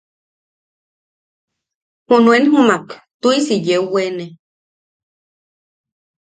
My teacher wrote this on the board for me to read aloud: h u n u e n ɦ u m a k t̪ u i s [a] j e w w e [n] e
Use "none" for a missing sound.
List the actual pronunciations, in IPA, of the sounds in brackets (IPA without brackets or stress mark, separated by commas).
i, n